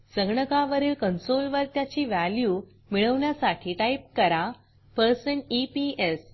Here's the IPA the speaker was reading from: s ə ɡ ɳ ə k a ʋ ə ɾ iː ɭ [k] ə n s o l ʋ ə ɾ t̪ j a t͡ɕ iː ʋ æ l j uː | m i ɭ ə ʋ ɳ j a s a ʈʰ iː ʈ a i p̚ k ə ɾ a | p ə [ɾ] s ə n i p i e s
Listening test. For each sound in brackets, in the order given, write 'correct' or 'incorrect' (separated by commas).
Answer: correct, correct